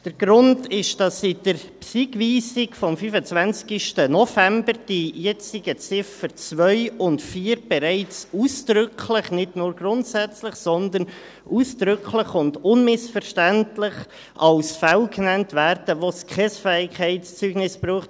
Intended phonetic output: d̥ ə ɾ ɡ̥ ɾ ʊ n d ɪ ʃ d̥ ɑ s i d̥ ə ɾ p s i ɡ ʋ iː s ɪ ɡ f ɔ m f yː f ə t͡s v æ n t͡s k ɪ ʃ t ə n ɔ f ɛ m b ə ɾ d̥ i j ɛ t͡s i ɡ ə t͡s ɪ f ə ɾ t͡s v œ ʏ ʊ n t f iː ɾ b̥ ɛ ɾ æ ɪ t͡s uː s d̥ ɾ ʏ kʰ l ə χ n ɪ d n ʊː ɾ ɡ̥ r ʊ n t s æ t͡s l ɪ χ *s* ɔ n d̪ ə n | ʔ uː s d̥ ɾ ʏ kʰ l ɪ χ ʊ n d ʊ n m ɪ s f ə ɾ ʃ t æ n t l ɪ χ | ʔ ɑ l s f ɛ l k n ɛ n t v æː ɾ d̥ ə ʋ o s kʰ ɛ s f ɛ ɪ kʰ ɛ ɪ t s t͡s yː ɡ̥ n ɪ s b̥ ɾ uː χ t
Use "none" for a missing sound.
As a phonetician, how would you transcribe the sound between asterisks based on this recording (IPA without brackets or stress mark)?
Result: s